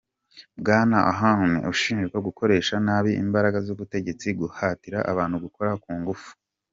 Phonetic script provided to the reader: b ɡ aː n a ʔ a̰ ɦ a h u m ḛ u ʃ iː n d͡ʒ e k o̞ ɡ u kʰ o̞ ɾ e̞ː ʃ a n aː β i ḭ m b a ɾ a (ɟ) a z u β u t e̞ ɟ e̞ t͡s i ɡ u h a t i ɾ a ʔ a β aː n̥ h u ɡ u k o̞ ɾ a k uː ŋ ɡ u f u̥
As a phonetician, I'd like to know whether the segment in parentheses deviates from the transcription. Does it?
yes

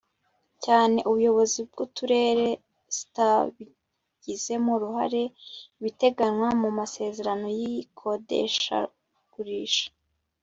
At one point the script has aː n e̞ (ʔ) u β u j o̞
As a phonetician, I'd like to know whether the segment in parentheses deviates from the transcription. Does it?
no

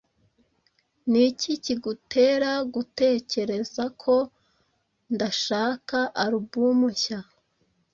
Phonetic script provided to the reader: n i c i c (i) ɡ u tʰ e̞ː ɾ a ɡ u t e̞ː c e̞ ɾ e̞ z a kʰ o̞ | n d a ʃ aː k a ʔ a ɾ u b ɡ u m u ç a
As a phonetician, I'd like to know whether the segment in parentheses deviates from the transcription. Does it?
no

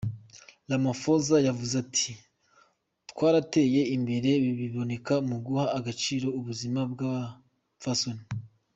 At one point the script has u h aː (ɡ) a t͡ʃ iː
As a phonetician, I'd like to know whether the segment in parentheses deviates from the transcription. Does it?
no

